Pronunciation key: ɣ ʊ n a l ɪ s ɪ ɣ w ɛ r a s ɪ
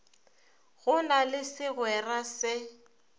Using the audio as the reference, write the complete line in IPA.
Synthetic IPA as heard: ɣ ʊ n a l ɪ s ɪ ɣ w ɛ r a s ɪ